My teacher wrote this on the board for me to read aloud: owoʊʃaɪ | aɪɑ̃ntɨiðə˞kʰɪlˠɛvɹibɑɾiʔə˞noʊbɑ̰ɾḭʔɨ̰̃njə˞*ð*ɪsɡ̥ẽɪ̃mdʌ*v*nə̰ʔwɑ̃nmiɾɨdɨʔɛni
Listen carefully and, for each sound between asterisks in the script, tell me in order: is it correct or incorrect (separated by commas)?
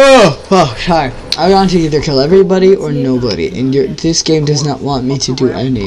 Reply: correct, incorrect